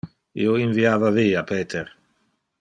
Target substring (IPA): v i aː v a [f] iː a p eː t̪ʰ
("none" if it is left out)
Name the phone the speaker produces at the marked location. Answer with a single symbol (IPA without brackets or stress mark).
v